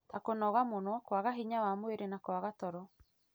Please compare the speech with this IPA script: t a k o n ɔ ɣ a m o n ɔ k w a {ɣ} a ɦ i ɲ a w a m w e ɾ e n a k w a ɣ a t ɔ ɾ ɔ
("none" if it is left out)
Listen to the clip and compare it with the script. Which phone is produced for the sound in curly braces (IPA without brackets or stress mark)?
ɣ